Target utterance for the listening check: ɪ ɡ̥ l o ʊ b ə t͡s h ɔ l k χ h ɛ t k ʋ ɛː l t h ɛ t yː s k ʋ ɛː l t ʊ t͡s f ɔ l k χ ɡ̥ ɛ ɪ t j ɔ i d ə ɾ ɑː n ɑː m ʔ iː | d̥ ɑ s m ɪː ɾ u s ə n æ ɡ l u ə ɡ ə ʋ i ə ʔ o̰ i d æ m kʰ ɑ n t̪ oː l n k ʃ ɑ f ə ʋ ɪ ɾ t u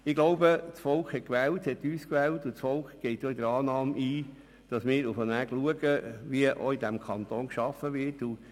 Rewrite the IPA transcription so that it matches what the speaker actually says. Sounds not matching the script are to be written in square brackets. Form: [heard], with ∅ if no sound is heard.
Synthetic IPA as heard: ɪ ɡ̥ l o ʊ b ə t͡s [f] ɔ l k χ h ɛ t k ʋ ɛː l t h ɛ t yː s k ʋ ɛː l t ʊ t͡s f ɔ l k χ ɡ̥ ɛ ɪ t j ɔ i d ə ɾ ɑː n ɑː m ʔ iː | d̥ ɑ s m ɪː ɾ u [f] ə n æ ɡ l u ə ɡ ə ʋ i ə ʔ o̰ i d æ m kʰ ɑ n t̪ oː [∅] n k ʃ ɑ f ə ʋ ɪ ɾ t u

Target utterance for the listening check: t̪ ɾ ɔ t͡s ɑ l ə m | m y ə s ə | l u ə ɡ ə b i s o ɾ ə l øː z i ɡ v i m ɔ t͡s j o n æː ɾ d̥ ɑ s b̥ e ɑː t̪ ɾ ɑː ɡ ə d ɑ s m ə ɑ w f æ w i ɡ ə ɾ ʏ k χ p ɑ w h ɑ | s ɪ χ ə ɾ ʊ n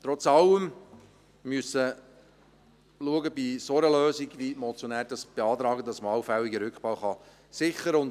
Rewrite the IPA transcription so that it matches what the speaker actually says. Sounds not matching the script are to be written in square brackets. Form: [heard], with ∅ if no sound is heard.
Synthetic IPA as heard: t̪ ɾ ɔ t͡s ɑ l ə m | m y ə s ə | l u ə ɡ ə b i s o ɾ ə l øː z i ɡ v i m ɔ t͡s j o n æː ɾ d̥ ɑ s b̥ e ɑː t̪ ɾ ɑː ɡ ə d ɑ s m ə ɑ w f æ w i ɡ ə ɾ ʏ k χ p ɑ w [χ] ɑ | s ɪ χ ə ɾ ʊ n

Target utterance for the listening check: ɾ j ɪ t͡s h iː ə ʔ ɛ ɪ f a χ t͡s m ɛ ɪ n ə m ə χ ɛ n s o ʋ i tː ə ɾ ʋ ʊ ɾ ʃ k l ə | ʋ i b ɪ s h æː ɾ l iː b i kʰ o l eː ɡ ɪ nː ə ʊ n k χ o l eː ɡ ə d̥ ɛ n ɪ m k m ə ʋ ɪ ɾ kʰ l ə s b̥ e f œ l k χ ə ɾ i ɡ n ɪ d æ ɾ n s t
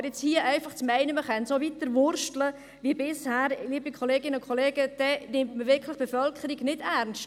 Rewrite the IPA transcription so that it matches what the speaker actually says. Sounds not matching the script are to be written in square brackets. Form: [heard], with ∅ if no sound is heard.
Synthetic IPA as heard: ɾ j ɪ t͡s h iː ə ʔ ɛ ɪ f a χ t͡s m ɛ ɪ n ə m ə χ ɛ n s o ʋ i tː ə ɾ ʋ ʊ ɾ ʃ [t] l ə | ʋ i b ɪ s h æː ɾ l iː b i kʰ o l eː ɡ ɪ [n] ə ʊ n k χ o l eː ɡ ə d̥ ɛ n ɪ m [t] m ə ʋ ɪ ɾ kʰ l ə [χ] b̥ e f œ l k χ ə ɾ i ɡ n ɪ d æ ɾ n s t

